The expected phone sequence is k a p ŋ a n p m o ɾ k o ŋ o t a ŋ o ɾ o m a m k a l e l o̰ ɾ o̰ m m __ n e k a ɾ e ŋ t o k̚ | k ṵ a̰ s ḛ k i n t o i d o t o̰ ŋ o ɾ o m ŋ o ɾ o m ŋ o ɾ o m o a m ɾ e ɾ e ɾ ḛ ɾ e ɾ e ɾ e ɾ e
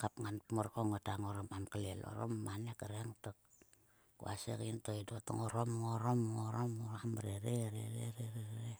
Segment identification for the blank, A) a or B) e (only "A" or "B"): A